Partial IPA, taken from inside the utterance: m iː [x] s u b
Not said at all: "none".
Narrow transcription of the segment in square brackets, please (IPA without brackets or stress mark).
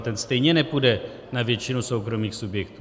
x